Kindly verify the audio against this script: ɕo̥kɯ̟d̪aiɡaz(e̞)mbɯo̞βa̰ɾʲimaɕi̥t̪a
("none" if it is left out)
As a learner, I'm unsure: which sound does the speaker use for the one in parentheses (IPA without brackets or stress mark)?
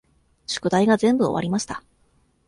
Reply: ẽ̞